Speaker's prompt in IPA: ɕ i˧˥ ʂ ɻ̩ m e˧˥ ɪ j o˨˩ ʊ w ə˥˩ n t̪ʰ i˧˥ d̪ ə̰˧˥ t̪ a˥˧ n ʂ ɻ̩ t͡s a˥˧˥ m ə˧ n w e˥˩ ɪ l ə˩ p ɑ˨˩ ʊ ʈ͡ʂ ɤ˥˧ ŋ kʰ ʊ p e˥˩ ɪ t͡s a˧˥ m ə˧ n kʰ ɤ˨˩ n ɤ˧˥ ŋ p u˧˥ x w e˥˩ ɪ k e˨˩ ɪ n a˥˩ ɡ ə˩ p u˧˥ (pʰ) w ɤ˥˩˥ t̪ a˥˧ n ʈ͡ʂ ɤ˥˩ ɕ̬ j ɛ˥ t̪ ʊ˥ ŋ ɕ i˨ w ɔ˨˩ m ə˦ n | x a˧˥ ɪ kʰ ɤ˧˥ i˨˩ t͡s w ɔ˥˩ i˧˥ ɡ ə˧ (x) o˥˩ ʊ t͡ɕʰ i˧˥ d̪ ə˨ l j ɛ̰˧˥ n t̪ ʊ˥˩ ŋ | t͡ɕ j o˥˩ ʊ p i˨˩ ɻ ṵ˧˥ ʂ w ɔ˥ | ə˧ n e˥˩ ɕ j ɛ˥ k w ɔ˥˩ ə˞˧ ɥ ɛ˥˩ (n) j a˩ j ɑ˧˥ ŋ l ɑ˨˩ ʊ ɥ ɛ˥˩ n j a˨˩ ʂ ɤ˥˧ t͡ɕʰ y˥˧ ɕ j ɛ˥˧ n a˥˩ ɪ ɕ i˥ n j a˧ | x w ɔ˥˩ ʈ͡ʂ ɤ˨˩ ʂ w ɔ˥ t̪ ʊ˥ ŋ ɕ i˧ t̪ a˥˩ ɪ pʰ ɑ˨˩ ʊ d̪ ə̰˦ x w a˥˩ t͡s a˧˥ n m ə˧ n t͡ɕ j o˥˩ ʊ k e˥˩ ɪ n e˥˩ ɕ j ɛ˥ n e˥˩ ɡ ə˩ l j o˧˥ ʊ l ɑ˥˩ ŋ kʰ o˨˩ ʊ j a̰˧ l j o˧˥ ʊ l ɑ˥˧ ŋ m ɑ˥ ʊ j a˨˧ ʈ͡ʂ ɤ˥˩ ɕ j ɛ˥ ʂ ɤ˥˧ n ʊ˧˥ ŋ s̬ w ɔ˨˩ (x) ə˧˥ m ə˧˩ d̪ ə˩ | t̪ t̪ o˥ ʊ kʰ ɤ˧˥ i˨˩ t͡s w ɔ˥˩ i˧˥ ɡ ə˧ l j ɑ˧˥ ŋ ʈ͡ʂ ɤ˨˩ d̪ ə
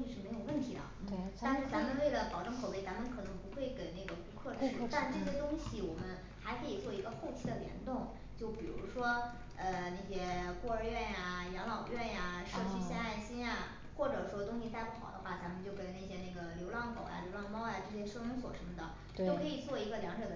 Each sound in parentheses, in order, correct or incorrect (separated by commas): incorrect, correct, correct, incorrect